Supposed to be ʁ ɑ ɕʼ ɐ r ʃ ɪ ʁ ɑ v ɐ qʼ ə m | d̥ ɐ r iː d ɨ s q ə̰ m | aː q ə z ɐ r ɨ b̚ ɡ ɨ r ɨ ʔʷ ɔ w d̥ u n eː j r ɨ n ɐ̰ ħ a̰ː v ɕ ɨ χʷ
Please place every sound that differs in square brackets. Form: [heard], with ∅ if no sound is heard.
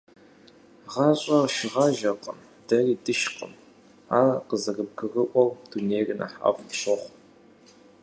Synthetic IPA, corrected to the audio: ʁ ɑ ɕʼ ɐ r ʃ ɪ ʁ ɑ [ʒ] ɐ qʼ ə m | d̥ ɐ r iː d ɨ [ʃ] q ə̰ m | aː q ə z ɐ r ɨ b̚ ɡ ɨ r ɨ ʔʷ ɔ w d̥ u n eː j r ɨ n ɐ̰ ħ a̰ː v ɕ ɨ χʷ